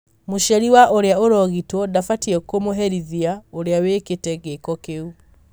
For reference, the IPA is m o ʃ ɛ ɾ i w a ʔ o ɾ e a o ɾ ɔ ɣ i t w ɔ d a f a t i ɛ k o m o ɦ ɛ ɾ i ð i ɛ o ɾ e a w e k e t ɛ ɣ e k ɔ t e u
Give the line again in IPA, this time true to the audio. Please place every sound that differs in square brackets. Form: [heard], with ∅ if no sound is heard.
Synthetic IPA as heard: m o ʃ ɛ ɾ i w a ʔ o ɾ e a o ɾ ɔ ɣ i t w ɔ d a f a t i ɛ k o m o ɦ ɛ ɾ i ð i [a] o ɾ e a w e k e t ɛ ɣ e k ɔ [k] e u